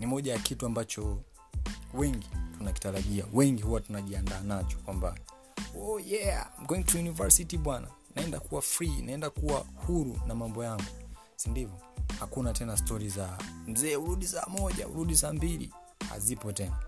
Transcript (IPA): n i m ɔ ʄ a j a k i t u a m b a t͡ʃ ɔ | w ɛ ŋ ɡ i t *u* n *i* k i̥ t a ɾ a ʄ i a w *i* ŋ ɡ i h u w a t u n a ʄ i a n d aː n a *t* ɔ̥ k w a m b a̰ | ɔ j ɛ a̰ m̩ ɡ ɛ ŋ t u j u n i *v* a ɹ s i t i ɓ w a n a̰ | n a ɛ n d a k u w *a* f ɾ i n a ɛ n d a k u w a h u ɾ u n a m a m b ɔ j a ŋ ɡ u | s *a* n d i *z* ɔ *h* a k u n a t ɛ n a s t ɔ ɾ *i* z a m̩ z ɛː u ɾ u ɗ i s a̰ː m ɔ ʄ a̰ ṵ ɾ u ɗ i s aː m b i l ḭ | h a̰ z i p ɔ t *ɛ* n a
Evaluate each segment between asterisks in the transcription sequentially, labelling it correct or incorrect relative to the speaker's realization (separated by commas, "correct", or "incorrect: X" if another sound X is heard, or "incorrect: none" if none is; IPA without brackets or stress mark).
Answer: correct, incorrect: a, incorrect: ɛ, incorrect: t͡ʃ, correct, correct, incorrect: i, incorrect: v, correct, correct, correct